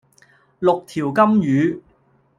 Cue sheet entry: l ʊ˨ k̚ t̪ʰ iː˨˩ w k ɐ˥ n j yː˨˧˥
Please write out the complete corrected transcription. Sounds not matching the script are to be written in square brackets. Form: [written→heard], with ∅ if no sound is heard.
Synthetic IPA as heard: l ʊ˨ k̚ t̪ʰ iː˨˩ w k ɐ˥ [n→m] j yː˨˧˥

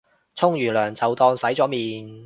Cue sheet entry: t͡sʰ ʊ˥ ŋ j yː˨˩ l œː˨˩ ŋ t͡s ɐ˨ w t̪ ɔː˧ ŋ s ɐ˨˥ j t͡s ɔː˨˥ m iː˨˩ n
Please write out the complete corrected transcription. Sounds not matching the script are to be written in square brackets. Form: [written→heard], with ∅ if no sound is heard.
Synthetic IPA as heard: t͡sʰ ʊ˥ ŋ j yː˨˩ l œː˨˩ ŋ t͡s ɐ˨ w t̪ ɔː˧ ŋ s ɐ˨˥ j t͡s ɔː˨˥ m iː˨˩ n

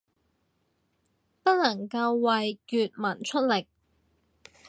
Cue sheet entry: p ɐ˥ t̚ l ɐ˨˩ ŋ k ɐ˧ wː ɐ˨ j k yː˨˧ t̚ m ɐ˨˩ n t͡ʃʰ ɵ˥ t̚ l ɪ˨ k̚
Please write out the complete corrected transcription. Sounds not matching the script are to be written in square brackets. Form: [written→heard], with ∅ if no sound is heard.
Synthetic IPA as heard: p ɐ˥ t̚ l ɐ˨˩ ŋ k ɐ˧ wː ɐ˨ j k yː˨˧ t̚ m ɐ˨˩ n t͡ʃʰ ɵ˥ t̚ l ɪ˨ k̚

